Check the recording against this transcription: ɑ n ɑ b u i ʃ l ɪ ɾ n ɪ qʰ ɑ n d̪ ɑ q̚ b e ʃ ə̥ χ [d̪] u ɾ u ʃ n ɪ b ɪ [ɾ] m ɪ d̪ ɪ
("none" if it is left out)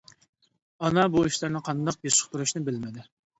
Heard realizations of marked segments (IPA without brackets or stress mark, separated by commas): t̪, l